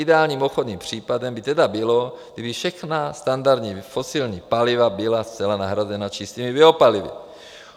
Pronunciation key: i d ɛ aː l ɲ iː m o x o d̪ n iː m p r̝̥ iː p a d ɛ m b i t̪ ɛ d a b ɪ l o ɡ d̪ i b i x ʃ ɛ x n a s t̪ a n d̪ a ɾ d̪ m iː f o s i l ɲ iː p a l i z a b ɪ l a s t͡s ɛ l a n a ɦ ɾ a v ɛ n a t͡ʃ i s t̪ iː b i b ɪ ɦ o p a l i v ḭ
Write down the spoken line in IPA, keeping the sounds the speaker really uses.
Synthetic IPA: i d ɛ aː l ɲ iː m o x o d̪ n iː m p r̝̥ iː p a d ɛ m b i t̪ ɛ d a b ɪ l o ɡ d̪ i b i f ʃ ɛ x n a s t̪ a n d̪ a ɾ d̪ ɲ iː f o s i l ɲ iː p a l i v a b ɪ l a s t͡s ɛ l a n a ɦ ɾ a z ɛ n a t͡ʃ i s t̪ iː m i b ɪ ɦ o p a l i v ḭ